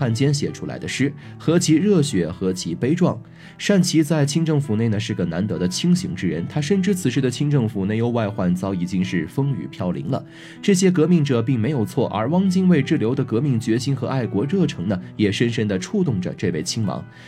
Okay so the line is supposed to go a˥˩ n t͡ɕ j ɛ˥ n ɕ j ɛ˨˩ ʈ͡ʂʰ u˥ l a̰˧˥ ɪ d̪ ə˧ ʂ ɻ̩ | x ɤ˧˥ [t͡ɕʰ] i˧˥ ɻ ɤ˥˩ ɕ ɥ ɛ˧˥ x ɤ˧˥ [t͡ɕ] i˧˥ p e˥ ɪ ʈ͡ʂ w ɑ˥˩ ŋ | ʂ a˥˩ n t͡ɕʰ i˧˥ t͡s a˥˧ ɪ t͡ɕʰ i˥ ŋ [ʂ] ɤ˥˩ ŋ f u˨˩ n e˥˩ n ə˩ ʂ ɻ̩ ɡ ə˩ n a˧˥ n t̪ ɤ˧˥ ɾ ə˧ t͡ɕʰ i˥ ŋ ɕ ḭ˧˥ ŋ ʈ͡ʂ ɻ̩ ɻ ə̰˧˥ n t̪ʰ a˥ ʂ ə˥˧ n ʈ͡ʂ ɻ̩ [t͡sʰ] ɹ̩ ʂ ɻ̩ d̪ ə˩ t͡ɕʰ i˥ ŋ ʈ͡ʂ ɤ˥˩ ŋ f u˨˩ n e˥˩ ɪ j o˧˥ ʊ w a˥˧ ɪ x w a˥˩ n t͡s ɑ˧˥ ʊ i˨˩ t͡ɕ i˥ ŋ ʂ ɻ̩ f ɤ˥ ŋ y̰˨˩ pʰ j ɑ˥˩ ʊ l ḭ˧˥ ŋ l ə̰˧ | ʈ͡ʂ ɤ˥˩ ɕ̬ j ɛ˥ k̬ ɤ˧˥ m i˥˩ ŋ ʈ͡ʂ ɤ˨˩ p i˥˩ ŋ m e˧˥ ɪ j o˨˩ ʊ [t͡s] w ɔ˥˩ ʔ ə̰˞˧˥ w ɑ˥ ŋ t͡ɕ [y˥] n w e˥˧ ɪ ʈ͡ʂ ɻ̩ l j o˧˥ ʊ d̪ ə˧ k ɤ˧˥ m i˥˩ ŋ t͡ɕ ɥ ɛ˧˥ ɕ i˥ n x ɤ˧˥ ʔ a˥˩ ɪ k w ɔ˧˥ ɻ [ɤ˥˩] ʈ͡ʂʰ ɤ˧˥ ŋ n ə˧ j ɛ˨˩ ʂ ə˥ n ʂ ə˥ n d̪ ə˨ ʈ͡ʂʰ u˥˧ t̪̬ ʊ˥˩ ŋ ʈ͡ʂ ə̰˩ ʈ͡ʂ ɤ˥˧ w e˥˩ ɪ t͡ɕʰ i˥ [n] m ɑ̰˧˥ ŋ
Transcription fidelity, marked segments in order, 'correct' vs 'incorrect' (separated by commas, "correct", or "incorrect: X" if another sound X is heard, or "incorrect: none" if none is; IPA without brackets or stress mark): correct, incorrect: t͡ɕʰ, incorrect: ʈ͡ʂ, correct, incorrect: t͡sʰ, incorrect: i˥, correct, incorrect: ŋ